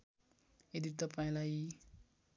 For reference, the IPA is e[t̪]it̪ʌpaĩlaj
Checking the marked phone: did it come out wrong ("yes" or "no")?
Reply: yes